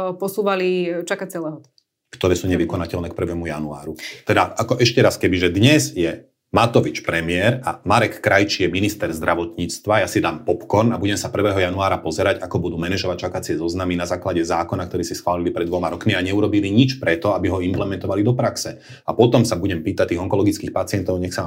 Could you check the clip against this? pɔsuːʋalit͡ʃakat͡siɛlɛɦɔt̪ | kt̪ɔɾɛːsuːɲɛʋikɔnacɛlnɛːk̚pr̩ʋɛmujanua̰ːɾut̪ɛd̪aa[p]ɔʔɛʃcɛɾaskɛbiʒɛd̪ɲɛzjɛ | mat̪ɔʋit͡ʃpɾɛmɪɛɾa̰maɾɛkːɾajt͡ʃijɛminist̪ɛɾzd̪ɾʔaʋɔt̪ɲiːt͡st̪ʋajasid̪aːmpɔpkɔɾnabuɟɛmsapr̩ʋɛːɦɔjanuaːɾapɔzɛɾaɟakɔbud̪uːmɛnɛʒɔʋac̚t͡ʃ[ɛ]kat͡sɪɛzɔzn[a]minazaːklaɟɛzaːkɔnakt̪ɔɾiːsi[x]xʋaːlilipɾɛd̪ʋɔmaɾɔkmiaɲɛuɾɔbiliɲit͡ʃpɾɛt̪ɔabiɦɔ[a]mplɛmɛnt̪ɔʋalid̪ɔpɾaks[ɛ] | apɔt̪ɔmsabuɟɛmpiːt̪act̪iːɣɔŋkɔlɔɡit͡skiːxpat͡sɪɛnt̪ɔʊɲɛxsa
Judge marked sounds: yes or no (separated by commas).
no, no, yes, no, no, yes